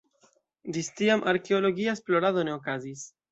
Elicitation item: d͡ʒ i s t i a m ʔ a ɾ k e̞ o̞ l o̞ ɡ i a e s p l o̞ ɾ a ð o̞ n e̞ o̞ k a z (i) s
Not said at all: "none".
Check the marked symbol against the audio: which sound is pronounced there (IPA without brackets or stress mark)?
i